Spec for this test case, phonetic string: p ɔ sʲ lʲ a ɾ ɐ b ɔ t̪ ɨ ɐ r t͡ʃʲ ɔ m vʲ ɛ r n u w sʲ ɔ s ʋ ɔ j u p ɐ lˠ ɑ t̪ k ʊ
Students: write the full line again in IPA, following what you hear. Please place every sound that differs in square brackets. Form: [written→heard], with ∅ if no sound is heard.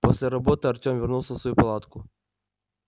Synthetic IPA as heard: p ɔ sʲ lʲ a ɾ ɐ b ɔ t̪ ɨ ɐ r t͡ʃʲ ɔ m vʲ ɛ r n u w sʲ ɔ s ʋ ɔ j u p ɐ lˠ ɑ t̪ k ʊ